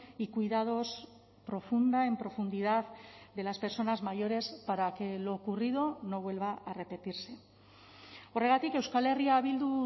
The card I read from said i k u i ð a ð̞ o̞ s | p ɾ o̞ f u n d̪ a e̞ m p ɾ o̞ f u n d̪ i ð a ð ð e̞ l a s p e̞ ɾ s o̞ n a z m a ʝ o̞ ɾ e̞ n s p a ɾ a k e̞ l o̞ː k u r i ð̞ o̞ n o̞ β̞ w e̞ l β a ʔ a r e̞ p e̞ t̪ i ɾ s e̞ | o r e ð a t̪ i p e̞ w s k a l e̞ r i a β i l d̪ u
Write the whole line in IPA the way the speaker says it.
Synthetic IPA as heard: i k u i ð a ð̞ o̞ s | p ɾ o̞ f u n d̪ a e̞ m p ɾ o̞ f u n d̪ i ð a ð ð e̞ l a s p e̞ ɾ s o̞ n a z m a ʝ o̞ ɾ e̞ s p a ɾ a k e̞ l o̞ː k u r i ð̞ o̞ n o̞ β̞ w e̞ l β a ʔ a r e̞ p e̞ t̪ i ɾ s e̞ | o r e ɣ a t̪ i k e̞ w s k a l e̞ r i a β i l d̪ u